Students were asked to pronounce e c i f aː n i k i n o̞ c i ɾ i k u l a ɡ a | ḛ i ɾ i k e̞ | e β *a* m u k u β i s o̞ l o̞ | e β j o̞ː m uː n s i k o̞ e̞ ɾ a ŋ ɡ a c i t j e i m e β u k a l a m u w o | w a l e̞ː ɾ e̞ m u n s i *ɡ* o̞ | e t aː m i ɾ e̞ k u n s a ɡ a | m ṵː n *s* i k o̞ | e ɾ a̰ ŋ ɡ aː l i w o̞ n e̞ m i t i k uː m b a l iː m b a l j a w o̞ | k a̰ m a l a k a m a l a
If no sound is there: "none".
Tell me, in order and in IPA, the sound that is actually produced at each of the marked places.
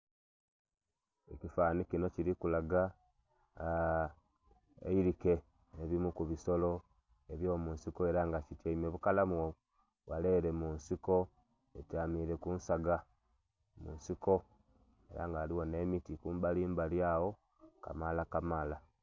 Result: i, k, s

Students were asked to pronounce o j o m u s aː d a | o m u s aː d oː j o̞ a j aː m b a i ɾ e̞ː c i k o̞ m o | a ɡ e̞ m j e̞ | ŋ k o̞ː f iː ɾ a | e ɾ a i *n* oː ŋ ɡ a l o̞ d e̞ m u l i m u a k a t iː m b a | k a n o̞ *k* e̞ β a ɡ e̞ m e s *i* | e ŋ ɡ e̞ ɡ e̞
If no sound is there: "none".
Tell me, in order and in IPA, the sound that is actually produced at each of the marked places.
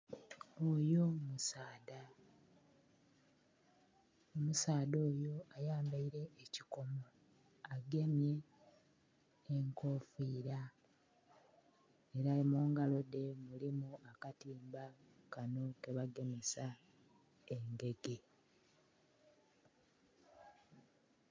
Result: m, k, a

